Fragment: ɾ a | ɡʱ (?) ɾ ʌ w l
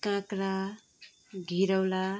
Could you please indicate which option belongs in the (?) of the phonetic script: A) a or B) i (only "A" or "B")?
B